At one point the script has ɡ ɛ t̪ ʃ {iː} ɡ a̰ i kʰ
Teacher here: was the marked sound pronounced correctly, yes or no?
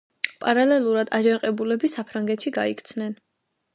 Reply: no